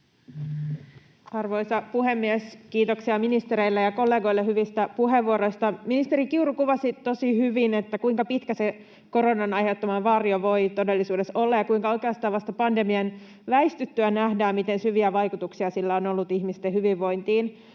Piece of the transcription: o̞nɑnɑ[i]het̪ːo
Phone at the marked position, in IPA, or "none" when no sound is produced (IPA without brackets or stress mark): j